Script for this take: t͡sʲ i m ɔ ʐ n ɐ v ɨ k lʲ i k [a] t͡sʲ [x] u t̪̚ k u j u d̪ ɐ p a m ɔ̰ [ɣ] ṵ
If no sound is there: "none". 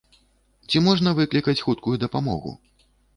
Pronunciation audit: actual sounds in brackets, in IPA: ɐ, x, ɣ

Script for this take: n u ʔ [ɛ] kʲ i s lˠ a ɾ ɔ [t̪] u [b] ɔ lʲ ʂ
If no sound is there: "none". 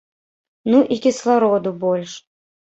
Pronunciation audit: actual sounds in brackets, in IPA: i, d̪, b

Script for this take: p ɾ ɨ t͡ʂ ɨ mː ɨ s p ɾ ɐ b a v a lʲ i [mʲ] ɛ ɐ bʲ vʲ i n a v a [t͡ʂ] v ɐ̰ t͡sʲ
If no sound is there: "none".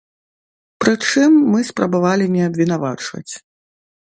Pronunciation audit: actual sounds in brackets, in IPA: nʲ, t͡ʂ

